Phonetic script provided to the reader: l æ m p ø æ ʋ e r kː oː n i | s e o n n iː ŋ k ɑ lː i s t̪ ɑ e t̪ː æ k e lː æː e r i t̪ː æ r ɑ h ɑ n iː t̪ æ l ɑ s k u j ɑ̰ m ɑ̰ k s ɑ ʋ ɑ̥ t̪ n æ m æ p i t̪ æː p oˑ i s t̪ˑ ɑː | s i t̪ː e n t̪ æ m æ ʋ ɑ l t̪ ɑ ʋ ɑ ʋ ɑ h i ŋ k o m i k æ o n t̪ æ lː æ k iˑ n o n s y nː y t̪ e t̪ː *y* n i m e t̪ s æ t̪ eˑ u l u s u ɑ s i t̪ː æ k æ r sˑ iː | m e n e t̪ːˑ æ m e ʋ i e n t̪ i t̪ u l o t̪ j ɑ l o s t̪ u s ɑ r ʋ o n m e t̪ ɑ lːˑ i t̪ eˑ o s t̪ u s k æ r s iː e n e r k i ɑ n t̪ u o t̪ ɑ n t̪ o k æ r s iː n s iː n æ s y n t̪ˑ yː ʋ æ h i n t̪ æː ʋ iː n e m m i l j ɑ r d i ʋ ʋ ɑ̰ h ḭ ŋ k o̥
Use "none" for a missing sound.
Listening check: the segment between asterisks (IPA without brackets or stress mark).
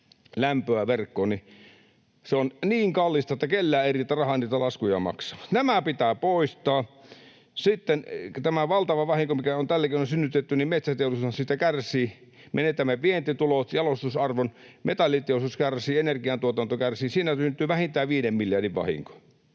y